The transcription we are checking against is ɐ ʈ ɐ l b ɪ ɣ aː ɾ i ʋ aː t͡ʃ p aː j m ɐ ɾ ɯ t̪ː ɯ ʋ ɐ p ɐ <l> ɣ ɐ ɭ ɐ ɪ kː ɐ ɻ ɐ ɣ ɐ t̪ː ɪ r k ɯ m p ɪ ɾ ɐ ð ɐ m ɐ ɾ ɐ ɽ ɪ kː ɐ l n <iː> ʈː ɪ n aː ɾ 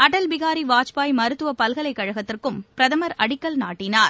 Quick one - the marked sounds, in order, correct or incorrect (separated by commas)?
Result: correct, incorrect